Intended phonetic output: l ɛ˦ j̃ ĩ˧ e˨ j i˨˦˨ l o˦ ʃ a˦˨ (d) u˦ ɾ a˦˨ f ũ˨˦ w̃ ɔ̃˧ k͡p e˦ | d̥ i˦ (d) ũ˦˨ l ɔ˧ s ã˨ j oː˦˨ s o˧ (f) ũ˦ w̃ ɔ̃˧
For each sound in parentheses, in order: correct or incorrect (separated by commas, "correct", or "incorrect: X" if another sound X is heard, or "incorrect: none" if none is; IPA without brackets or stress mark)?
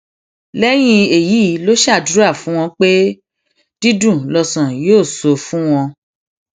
correct, correct, correct